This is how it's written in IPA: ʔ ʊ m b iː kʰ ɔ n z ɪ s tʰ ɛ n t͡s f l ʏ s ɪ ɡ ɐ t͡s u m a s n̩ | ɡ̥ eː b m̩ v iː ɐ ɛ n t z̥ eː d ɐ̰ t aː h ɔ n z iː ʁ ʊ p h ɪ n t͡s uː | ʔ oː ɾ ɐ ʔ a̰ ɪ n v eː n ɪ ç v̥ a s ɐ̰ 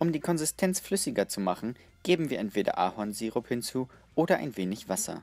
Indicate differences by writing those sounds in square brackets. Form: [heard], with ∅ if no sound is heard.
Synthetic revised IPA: ʔ ʊ m [d] iː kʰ ɔ n z ɪ s tʰ ɛ n t͡s f l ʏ s ɪ ɡ ɐ t͡s u m a [χ] n̩ | ɡ̥ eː b m̩ v iː ɐ ɛ n t [v̥] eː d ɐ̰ [ʔ] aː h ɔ n z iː ʁ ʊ p h ɪ n t͡s uː | ʔ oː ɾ ɐ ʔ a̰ ɪ n v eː n ɪ ç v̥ a s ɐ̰